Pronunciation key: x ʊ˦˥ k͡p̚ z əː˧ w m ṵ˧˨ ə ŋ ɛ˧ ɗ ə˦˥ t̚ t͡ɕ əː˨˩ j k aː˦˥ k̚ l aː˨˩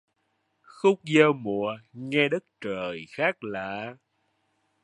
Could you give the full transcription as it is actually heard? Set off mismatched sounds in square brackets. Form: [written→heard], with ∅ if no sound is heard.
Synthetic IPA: x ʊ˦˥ k͡p̚ z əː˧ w m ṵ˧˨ ə ŋ ɛ˧ ɗ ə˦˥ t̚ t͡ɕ əː˨˩ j [k→x] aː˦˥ k̚ l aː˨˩